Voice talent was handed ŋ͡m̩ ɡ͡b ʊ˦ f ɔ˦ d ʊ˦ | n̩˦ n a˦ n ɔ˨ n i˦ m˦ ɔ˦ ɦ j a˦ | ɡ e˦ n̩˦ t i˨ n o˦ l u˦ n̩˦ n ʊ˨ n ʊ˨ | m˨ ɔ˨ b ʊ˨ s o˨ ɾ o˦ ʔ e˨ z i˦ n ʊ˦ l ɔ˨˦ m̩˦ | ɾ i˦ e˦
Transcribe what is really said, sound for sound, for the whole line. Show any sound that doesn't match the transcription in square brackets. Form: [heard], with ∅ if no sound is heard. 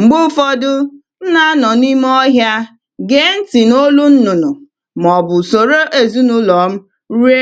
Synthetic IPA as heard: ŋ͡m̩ ɡ͡b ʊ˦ f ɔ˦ d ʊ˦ | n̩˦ n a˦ n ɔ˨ n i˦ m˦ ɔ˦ ɦ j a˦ | ɡ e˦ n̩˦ t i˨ n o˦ l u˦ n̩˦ n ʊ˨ n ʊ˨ | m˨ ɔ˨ b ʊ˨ s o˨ ɾ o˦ ʔ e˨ z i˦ n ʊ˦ l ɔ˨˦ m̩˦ | ɾ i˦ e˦